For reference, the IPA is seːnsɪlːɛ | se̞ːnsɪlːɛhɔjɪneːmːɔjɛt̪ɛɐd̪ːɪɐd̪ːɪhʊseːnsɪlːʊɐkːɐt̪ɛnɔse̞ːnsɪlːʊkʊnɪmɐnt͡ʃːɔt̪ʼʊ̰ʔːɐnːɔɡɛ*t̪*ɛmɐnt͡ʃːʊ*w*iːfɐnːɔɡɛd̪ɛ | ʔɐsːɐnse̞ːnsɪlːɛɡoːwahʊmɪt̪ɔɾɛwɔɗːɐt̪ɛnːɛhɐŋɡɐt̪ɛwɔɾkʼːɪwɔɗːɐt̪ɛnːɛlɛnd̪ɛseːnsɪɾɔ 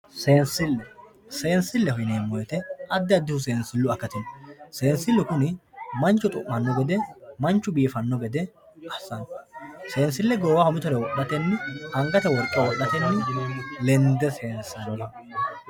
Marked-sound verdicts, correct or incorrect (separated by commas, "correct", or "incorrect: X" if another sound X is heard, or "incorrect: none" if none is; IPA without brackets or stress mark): incorrect: d̪, incorrect: b